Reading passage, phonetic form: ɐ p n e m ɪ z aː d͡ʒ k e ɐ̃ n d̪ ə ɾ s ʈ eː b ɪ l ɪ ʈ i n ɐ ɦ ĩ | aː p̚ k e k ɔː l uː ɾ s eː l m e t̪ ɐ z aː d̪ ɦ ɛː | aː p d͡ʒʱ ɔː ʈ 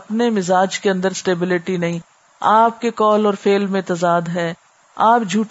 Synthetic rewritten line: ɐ p n e m ɪ z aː d͡ʒ k e ɐ̃ n d̪ ə ɾ s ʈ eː b ɪ l ɪ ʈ i n ɐ ɦ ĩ | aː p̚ k e k ɔː l ɔː ɾ f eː l m ẽ t̪ ɐ z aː d̪ ɦ ɛː | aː p d͡ʒʱ uː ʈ